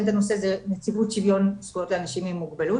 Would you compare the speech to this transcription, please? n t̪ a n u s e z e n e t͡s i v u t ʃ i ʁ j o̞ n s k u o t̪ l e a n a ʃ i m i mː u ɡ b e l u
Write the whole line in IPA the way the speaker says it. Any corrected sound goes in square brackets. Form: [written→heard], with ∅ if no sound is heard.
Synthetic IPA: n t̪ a n [u→o] s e z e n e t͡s i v u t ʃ i [ʁ→v] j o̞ n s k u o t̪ l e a n a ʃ i m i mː u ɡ b e l u